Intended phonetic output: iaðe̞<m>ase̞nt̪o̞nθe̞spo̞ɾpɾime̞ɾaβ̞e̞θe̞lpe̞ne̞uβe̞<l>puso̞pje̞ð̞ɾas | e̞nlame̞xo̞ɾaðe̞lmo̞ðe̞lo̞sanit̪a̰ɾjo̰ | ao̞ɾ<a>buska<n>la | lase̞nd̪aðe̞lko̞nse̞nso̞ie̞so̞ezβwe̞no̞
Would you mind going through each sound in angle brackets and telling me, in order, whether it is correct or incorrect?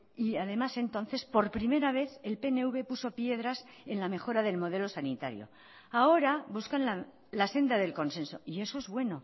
correct, incorrect, correct, correct

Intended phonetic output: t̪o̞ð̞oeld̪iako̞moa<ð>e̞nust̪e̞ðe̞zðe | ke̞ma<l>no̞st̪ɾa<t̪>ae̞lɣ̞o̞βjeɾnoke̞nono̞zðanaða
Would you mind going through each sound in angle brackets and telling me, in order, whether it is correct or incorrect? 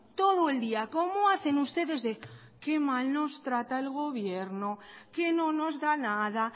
incorrect, correct, correct

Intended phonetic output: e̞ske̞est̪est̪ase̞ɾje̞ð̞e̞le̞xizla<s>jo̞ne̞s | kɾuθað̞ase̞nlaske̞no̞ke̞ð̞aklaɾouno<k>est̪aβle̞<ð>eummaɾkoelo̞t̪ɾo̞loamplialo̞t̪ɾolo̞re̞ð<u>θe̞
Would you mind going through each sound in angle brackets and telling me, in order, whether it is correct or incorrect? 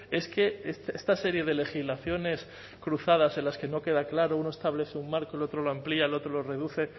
incorrect, incorrect, incorrect, correct

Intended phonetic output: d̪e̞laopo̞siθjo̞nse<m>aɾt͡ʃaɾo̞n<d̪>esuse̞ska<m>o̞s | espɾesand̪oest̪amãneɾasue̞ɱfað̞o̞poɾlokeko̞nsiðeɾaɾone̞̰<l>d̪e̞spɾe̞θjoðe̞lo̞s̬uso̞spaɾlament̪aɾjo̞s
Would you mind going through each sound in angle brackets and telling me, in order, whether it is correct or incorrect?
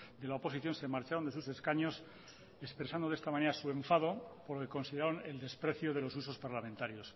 correct, correct, incorrect, correct

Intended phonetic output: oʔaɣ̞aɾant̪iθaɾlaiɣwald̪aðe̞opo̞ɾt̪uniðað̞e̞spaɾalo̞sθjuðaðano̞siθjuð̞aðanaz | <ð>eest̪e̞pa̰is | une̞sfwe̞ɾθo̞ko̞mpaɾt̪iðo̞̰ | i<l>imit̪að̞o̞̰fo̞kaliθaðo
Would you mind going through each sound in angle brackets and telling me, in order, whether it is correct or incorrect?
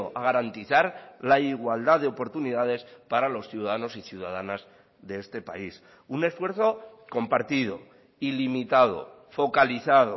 correct, correct

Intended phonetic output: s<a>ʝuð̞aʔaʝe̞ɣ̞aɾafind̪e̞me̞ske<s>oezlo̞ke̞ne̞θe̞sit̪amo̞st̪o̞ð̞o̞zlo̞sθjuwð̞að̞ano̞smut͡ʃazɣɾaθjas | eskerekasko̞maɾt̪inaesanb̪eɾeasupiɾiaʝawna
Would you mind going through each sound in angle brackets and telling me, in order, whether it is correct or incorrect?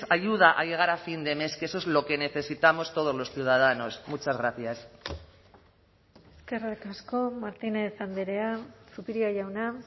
correct, correct

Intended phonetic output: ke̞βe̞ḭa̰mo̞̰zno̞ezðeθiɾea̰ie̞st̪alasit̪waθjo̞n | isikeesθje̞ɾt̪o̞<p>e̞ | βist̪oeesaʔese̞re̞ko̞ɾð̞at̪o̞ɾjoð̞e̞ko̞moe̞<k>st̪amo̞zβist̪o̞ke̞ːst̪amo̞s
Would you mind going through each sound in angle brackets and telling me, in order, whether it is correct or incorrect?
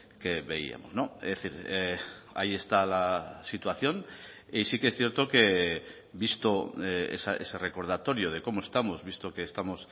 incorrect, incorrect

